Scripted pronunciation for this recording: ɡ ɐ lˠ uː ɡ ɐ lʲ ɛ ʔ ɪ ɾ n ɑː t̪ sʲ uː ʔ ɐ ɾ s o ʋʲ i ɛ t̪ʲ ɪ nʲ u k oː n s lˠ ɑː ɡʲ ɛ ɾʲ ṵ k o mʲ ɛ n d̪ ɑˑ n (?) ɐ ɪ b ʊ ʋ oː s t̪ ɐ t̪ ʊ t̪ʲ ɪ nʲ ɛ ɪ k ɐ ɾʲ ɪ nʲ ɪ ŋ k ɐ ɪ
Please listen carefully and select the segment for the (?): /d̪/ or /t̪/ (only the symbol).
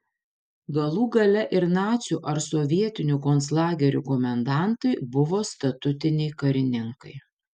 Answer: t̪